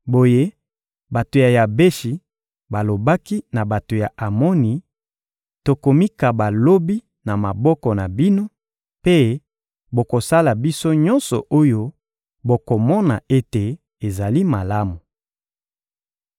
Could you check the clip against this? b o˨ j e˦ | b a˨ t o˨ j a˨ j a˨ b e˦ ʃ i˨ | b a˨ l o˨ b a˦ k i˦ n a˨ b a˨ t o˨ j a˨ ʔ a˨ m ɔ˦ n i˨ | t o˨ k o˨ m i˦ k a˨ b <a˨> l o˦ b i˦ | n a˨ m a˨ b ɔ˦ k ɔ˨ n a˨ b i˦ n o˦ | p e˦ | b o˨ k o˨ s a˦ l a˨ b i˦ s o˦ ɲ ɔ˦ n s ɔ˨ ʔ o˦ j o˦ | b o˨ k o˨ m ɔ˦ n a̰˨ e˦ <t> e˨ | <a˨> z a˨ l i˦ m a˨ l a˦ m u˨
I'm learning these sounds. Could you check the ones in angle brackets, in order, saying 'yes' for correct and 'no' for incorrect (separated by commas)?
yes, yes, no